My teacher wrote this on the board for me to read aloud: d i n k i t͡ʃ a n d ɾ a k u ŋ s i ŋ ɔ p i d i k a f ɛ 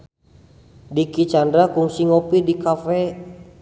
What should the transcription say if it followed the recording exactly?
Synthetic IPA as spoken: d i k i t͡ʃ a n d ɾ a k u ŋ s i ŋ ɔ p i d i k a f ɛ